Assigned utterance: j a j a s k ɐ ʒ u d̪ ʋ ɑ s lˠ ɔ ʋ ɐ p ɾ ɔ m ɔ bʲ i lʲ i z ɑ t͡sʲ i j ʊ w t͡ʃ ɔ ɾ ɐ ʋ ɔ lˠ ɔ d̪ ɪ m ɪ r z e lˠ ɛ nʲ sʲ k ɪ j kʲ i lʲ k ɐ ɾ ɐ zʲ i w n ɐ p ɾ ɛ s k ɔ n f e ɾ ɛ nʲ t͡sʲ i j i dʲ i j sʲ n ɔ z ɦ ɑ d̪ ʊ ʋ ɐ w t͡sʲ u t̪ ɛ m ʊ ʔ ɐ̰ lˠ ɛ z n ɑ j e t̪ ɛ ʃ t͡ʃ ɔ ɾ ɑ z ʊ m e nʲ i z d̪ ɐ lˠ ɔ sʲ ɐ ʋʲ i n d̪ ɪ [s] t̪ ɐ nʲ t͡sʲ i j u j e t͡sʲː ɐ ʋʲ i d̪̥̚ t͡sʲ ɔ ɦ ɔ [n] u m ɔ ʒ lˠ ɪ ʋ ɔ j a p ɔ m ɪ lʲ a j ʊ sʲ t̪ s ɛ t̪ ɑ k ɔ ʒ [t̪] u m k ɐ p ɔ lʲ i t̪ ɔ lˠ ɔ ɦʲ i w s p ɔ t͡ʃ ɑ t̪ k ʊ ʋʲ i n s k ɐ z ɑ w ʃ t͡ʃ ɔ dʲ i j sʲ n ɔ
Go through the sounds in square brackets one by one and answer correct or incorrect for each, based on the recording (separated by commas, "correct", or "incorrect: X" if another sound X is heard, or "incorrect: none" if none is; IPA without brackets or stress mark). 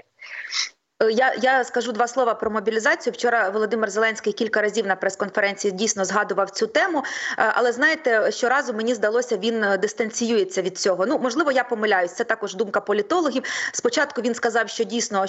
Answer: correct, correct, incorrect: d̪